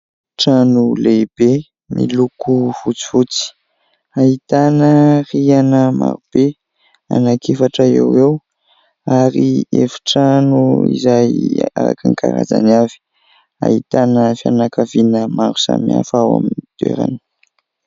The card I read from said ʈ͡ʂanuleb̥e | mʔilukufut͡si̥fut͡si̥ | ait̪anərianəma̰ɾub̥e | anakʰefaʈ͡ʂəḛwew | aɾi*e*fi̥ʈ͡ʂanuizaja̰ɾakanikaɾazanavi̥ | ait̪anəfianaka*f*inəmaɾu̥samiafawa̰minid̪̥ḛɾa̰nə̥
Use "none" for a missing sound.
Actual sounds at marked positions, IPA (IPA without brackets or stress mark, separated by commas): e, v